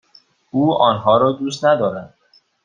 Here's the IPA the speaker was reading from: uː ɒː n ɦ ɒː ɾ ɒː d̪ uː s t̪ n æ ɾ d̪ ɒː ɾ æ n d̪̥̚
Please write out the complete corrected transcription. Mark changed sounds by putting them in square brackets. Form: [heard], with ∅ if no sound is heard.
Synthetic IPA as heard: uː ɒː n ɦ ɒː ɾ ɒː d̪ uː s t̪ n æ [∅] d̪ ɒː ɾ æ n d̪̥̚